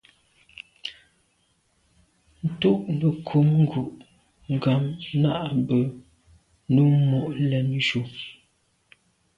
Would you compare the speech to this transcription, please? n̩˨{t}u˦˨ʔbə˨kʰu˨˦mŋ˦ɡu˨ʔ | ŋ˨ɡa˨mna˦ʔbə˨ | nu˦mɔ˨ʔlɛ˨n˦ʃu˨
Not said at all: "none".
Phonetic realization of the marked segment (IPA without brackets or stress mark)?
t